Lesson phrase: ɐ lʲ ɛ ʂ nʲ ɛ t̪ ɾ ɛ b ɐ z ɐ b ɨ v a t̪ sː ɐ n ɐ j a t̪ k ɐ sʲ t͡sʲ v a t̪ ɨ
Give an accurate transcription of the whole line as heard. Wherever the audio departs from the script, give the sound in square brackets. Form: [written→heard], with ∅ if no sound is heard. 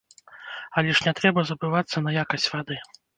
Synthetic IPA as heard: ɐ lʲ ɛ ʂ nʲ ɛ t̪ ɾ ɛ b ɐ z ɐ b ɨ v a t̪ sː ɐ n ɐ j a [t̪→∅] k ɐ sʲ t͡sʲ v a [t̪→d̪] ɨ